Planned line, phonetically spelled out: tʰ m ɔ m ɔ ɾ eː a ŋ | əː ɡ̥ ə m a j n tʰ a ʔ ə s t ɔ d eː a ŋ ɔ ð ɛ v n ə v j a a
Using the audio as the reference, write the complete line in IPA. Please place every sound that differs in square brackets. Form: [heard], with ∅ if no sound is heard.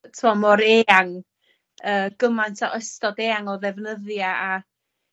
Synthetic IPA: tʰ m ɔ m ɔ ɾ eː a ŋ | əː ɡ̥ ə m a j n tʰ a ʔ ə s t ɔ d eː a ŋ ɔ ð ɛ v n ə [ð] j a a